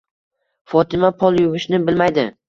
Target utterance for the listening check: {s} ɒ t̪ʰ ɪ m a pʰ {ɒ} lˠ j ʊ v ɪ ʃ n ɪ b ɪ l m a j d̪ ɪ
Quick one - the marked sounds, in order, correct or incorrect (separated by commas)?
incorrect, correct